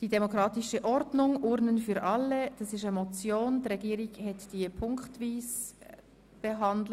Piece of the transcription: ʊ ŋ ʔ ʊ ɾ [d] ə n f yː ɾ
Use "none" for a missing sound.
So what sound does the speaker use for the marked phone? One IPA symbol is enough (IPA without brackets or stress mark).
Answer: n